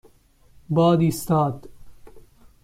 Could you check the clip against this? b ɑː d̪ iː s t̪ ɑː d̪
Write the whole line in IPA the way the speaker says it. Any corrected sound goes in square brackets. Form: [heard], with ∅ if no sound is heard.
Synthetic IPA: b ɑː d̪ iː s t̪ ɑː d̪